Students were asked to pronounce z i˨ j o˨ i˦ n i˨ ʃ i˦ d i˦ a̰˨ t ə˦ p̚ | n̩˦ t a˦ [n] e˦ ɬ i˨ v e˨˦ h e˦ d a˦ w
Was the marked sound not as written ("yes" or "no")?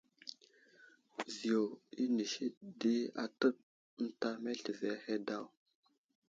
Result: yes